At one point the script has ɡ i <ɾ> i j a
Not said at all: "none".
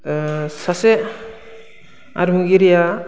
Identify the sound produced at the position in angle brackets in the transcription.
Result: ɾ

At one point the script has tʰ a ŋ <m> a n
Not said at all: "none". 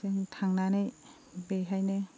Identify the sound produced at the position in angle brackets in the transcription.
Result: n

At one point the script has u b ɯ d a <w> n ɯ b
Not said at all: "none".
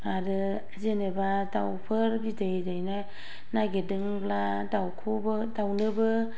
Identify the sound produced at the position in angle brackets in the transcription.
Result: w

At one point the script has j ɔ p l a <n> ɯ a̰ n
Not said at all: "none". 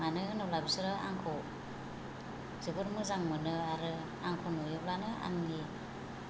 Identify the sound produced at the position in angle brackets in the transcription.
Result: n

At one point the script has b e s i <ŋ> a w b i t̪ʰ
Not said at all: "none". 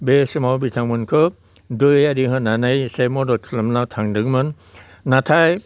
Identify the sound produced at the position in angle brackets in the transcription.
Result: m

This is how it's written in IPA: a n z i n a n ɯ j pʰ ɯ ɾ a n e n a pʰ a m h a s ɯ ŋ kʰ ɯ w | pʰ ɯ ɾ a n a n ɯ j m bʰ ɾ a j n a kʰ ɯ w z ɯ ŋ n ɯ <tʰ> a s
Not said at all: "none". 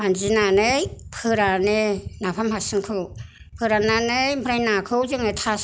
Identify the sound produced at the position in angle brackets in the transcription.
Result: tʰ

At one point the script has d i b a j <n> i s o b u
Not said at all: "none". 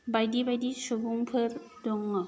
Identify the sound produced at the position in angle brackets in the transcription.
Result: d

